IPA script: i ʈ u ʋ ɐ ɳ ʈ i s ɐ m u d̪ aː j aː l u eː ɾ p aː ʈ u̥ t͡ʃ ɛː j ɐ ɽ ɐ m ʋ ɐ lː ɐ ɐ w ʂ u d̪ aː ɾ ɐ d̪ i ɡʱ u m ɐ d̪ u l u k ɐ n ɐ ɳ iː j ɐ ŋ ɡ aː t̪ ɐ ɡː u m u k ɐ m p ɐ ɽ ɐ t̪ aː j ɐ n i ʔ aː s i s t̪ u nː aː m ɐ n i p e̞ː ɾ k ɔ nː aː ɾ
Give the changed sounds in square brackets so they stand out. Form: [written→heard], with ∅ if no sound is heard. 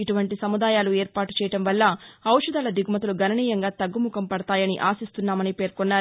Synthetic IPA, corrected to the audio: i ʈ u ʋ ɐ ɳ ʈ i s ɐ m u d̪ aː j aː l u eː ɾ p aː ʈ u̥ t͡ʃ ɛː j ɐ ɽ ɐ m ʋ ɐ lː ɐ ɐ w ʂ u d̪ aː [ɾ→l] ɐ d̪ i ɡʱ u m ɐ [d̪→t̪] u l u [k→ɡ] ɐ n ɐ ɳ iː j ɐ ŋ ɡ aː t̪ ɐ ɡː u m u k ɐ m p ɐ ɽ ɐ t̪ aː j ɐ n i ʔ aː s i s t̪ u nː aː m ɐ n i p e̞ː ɾ k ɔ nː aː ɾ